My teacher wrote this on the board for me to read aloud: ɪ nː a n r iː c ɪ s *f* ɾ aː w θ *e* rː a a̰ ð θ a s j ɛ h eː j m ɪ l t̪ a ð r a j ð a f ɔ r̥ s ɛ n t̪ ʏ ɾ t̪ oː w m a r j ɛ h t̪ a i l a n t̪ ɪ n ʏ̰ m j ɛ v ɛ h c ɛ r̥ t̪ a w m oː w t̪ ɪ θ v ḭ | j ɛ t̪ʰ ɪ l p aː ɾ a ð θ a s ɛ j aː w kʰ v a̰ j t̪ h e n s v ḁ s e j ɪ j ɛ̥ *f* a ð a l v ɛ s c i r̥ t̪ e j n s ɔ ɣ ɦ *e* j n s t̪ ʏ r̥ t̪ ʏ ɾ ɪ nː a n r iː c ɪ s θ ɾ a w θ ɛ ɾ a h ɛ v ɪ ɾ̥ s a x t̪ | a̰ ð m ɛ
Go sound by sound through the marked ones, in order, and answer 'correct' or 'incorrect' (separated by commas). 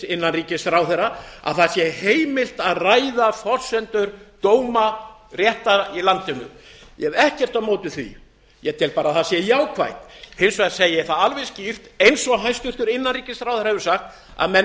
incorrect, incorrect, incorrect, incorrect